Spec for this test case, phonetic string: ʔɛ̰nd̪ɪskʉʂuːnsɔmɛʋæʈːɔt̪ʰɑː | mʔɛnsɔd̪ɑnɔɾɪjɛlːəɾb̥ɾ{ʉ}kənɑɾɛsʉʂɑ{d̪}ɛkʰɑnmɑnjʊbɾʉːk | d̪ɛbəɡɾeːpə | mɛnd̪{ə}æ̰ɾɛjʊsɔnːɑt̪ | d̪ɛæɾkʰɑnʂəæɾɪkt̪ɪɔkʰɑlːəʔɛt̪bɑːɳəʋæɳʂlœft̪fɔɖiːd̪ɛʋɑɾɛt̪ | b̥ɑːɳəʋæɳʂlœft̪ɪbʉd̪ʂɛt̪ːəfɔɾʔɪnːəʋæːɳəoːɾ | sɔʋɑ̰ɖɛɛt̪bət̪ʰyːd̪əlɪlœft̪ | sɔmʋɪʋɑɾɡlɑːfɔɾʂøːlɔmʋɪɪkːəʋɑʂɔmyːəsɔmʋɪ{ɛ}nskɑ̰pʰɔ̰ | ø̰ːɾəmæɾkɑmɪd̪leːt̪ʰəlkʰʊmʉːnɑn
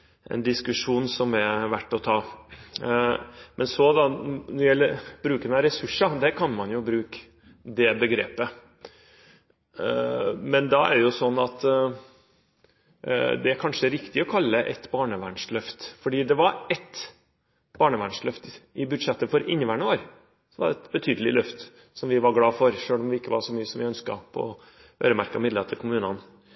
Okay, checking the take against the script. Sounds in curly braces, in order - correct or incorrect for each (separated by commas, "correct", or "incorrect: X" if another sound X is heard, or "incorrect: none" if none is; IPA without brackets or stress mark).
incorrect: ʉː, correct, incorrect: ɑ, incorrect: œ